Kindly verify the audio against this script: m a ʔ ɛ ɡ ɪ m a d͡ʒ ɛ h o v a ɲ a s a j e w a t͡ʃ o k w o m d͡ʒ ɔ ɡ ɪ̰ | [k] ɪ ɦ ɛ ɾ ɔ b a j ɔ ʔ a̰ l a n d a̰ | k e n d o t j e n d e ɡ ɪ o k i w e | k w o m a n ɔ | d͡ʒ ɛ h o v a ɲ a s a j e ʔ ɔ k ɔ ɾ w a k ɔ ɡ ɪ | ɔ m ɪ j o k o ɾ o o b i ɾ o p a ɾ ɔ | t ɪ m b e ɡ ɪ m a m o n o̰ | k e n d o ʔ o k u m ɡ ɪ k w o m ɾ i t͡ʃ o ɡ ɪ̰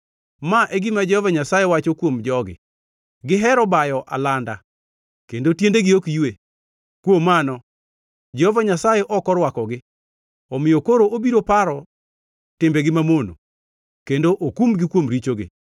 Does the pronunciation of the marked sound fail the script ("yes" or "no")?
yes